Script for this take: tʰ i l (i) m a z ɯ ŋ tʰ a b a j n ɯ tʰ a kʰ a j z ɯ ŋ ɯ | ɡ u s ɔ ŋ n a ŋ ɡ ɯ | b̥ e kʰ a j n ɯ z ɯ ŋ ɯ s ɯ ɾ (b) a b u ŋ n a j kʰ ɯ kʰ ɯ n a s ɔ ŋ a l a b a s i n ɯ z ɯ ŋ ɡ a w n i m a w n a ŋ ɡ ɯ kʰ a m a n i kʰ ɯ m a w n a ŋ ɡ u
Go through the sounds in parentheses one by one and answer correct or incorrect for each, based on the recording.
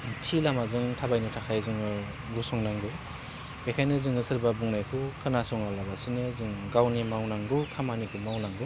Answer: incorrect, correct

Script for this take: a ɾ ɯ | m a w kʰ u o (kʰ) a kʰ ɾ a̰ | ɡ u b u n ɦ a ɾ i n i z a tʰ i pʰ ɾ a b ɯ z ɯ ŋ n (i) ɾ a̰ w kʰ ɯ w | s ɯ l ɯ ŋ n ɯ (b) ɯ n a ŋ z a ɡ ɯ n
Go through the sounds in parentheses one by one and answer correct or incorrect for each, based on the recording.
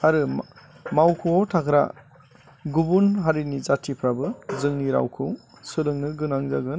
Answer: incorrect, correct, incorrect

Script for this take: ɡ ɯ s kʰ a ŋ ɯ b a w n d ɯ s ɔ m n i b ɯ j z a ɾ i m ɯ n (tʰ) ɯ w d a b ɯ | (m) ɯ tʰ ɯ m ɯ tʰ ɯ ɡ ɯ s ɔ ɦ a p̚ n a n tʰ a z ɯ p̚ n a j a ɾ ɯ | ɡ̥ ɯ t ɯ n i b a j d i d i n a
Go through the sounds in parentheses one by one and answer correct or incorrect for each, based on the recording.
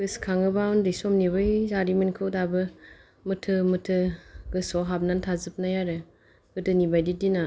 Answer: incorrect, correct

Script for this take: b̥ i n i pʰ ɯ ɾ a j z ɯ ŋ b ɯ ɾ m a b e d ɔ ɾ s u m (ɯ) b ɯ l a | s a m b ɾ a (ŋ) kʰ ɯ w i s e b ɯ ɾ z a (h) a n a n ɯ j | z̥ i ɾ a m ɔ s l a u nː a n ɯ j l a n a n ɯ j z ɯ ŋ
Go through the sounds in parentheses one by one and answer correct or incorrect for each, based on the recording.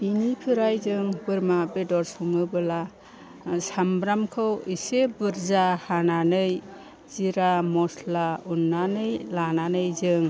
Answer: correct, incorrect, correct

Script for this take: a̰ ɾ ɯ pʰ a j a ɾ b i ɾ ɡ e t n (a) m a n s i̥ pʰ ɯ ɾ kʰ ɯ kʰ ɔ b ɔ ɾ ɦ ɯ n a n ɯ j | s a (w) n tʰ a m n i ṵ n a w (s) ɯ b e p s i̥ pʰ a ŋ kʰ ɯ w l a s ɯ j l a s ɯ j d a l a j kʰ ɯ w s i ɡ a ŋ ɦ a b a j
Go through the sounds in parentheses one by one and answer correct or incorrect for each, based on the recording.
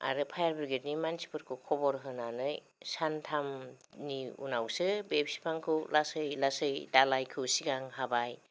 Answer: incorrect, incorrect, correct

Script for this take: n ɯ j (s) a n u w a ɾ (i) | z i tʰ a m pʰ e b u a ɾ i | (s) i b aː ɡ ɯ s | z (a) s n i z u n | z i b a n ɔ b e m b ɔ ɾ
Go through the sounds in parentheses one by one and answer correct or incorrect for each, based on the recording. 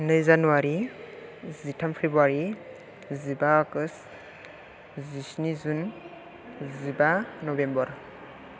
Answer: incorrect, correct, incorrect, incorrect

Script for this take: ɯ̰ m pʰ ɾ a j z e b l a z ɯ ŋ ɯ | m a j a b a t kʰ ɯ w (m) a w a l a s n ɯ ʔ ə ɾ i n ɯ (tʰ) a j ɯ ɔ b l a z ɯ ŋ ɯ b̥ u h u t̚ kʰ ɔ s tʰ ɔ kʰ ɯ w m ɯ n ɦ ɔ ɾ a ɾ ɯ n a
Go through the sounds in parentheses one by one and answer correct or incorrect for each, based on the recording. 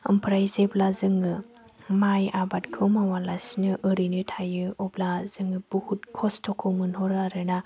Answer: correct, correct

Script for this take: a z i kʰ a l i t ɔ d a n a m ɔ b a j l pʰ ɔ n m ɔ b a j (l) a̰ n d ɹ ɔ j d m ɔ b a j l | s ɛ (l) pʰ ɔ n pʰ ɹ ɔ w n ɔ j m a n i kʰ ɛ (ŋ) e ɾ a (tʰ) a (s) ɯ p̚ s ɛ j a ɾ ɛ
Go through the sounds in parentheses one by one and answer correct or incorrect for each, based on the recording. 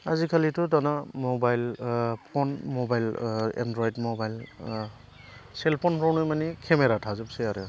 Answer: correct, correct, incorrect, correct, incorrect

